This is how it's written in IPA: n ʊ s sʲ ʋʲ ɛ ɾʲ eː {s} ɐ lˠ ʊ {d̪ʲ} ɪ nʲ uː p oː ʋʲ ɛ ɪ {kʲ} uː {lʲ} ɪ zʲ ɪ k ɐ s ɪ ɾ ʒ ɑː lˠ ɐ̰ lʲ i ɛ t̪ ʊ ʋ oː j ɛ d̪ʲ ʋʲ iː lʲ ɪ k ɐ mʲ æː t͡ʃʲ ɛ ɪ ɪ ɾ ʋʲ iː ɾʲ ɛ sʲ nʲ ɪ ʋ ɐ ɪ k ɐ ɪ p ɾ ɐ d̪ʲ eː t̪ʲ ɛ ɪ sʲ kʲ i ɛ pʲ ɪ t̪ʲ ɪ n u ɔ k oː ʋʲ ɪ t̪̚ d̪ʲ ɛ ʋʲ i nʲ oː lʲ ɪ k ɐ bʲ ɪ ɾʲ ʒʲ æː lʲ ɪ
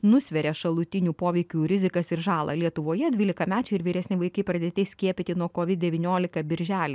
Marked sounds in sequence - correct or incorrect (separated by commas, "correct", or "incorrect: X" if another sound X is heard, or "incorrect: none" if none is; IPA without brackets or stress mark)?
incorrect: ʃ, incorrect: t̪ʲ, correct, incorrect: ɾʲ